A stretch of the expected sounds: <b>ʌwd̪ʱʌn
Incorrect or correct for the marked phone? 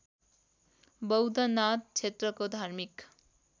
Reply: correct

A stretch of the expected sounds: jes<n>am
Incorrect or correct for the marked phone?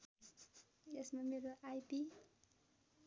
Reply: incorrect: m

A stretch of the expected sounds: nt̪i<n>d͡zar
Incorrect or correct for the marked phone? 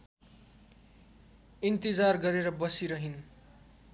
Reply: incorrect: none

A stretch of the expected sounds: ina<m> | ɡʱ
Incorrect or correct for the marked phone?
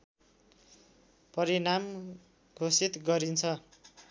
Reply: correct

